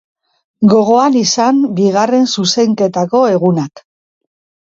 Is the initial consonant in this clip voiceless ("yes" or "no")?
no